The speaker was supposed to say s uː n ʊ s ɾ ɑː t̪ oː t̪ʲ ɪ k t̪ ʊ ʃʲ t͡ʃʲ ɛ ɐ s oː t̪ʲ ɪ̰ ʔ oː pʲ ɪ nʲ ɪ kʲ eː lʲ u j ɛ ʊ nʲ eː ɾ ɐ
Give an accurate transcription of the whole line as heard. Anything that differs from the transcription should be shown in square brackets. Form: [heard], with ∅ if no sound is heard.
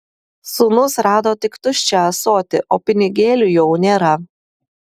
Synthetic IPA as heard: s uː n ʊ s ɾ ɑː [d̪] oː t̪ʲ ɪ k t̪ ʊ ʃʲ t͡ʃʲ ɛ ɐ s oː t̪ʲ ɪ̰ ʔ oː pʲ ɪ nʲ ɪ [ɡʲ] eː lʲ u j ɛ ʊ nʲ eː ɾ ɐ